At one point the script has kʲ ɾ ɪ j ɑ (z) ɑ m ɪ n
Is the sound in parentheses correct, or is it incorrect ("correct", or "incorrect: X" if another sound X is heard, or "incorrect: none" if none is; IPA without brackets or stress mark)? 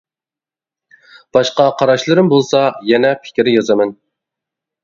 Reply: correct